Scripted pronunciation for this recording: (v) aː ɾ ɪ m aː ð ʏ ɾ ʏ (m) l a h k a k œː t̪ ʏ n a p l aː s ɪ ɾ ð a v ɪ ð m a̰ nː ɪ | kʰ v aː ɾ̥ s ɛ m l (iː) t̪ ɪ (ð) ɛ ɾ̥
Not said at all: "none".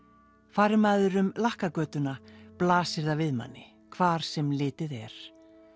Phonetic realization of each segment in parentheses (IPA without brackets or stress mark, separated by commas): f, m, ɪː, ð